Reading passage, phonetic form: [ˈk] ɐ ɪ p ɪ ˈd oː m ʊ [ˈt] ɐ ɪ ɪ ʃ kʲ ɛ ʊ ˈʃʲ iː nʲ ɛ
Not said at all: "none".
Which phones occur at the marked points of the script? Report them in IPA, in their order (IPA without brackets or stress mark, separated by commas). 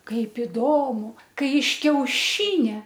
k, k